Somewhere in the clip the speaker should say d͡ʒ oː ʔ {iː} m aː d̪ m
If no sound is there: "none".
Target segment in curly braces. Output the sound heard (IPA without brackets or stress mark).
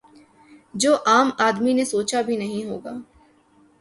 aː